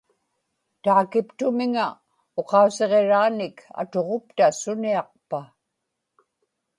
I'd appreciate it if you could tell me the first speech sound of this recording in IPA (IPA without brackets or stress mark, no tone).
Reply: t̪